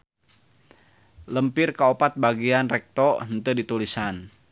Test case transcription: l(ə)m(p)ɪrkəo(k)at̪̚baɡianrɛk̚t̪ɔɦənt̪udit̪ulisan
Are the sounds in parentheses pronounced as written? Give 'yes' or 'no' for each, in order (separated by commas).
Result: yes, yes, no